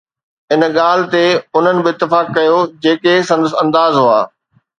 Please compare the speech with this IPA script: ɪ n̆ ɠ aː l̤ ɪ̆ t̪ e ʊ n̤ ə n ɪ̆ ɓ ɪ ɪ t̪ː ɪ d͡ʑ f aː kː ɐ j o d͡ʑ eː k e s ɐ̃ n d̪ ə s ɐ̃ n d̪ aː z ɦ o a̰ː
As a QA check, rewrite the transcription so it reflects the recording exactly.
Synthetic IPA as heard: ɪ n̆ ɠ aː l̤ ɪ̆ t̪ e ʊ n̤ ə n ɪ̆ b ɪ ɪ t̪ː ɪ f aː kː ɐ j o d͡ʑ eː k e s ɐ̃ n d̪ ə s ɐ̃ n d̪ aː z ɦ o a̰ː